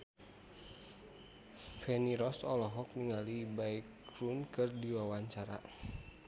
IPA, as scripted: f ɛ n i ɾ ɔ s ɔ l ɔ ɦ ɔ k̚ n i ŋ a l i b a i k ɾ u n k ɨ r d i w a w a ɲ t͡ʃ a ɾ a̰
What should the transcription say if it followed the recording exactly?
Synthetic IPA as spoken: f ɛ n i ɾ ɔ s ɔ l ɔ ɦ ɔ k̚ n i ŋ a l i b a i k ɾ u n k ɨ r d i w a w a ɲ t͡ʃ a ɾ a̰